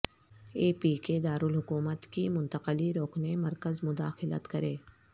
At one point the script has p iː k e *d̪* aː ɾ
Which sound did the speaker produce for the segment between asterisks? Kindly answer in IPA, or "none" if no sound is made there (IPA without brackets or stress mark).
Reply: d̪